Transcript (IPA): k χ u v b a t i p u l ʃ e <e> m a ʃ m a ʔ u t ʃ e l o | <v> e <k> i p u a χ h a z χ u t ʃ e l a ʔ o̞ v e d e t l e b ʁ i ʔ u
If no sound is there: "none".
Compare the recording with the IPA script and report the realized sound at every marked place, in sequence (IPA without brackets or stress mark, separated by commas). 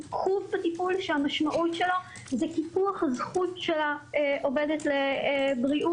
a, z, k